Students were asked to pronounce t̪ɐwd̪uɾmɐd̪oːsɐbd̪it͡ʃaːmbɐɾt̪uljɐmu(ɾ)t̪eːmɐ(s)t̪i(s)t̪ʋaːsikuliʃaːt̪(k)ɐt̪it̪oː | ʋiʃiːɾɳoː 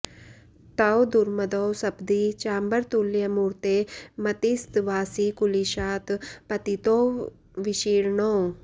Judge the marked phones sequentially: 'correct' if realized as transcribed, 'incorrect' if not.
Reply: correct, incorrect, correct, incorrect

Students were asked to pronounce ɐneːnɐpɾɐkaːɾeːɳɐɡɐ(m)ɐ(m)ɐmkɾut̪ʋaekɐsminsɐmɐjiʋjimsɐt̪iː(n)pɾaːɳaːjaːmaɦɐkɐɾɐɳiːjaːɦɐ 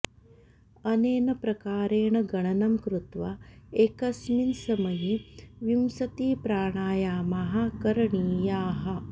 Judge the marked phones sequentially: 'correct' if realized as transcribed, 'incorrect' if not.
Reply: incorrect, incorrect, incorrect

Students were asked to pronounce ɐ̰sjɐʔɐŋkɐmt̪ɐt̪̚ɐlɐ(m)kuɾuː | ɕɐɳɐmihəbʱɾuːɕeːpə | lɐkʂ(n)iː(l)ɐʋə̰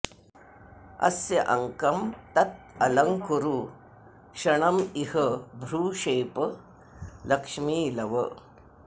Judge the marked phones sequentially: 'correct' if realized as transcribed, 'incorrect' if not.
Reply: incorrect, incorrect, correct

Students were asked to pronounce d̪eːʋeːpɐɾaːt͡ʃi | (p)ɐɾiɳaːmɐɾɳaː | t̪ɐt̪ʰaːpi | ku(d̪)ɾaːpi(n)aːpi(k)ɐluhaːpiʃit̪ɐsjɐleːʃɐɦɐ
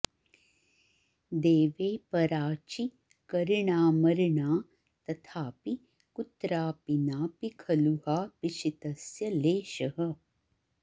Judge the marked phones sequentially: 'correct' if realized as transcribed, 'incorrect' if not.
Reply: incorrect, incorrect, correct, incorrect

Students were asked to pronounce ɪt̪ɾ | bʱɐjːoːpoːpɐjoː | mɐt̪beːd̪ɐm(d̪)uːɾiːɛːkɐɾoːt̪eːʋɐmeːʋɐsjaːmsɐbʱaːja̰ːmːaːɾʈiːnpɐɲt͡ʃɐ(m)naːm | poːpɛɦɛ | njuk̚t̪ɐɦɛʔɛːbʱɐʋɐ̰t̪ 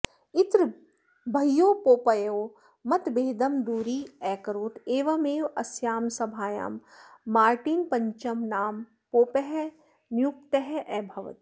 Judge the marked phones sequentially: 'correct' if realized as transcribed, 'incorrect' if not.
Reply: correct, correct

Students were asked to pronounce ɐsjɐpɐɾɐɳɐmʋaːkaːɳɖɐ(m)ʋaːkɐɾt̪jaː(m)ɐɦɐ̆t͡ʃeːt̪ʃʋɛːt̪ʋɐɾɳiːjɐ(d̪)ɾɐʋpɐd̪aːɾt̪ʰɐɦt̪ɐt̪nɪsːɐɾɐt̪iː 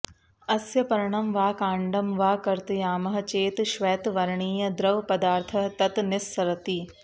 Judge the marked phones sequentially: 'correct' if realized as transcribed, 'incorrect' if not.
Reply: correct, correct, correct

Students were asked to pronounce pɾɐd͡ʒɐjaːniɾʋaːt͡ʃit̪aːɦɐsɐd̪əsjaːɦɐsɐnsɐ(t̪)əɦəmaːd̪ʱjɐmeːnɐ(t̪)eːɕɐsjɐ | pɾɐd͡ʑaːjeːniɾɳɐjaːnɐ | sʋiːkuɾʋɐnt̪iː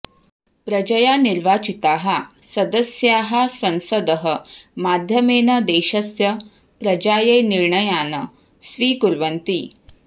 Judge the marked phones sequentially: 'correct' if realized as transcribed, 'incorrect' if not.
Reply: incorrect, incorrect

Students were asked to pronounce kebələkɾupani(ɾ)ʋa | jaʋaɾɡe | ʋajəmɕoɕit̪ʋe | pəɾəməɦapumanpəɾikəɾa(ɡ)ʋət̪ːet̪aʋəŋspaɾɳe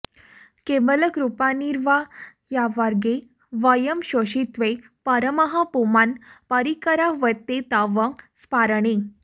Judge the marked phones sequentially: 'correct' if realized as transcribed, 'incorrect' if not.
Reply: correct, incorrect

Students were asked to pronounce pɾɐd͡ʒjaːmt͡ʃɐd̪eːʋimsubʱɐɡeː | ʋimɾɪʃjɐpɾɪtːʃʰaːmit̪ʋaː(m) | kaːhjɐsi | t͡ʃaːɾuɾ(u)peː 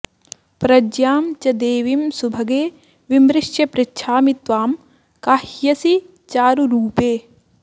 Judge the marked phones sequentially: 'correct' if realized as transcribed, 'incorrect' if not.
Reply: correct, incorrect

